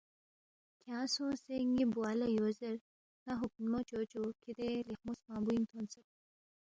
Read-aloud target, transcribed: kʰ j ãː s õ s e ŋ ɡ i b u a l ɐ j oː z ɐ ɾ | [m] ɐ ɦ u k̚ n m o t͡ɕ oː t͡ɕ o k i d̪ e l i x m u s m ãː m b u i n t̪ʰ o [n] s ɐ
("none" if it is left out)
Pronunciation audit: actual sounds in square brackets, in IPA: n, n

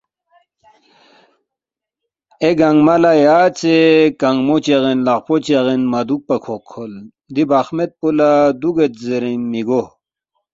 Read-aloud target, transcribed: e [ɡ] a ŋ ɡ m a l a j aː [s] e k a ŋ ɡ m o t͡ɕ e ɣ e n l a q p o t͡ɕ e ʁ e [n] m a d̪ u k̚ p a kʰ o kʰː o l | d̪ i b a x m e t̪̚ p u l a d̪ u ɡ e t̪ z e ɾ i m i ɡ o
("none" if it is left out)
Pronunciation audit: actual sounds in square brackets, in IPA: ɡ, t͡s, n

